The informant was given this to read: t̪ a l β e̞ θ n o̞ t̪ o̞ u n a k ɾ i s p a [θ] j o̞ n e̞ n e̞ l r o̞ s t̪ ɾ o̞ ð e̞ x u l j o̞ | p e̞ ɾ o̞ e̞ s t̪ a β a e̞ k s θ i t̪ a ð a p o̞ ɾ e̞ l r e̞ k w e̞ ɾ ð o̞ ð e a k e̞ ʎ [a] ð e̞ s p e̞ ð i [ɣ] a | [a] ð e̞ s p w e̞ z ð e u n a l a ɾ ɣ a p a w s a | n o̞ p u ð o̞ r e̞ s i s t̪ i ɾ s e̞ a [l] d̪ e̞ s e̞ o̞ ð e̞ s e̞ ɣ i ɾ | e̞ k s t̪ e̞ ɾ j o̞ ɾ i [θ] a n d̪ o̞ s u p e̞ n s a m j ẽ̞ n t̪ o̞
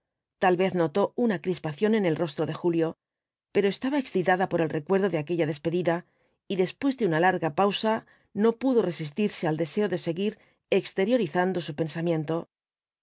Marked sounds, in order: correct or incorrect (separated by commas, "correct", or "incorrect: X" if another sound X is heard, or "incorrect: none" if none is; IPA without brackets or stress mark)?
correct, correct, incorrect: ð, incorrect: i, correct, correct